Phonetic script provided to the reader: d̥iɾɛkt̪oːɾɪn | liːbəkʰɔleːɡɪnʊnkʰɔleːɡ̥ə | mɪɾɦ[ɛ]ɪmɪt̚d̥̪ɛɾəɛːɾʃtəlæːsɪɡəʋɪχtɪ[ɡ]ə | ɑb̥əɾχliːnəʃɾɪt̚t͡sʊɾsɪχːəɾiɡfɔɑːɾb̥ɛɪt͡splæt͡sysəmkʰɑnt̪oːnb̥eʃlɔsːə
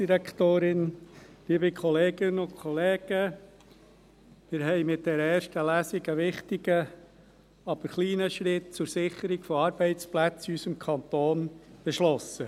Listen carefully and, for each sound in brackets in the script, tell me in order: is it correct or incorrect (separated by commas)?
correct, correct